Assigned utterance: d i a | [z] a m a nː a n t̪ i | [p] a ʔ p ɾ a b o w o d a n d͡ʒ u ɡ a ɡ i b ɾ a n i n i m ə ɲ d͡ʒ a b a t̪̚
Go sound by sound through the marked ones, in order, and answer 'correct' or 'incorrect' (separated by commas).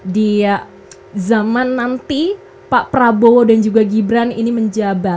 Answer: correct, correct